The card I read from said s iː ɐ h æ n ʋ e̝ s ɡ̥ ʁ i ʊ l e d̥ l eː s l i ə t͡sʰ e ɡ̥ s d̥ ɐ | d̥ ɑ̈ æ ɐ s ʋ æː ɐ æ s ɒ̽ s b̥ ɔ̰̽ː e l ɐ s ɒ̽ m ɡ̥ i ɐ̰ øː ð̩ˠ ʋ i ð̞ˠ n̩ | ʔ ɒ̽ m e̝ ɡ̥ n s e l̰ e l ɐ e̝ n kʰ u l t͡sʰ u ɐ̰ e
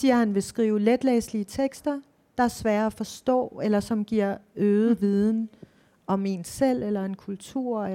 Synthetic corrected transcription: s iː ɐ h æ n ʋ e̝ s ɡ̥ ʁ iː ʊ l e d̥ l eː s l i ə t͡sʰ e ɡ̥ s d̥ ɐ | d̥ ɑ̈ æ ɐ s ʋ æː ɐ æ f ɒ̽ s d̥ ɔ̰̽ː e l ɐ s ɒ̽ m ɡ̥ i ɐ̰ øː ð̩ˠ ʋ i ð̞ˠ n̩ | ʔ ɒ̽ m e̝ n s e l̰ e l ɐ e̝ n kʰ u l t͡sʰ u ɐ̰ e